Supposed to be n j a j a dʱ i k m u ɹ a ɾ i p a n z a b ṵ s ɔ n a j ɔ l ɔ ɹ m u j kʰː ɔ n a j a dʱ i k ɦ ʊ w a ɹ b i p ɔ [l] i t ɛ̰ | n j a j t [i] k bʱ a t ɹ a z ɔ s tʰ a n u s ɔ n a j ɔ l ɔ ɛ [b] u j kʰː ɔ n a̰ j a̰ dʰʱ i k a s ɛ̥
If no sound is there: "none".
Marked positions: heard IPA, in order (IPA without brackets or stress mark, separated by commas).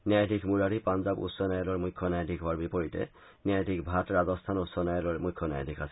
ɹ, i, m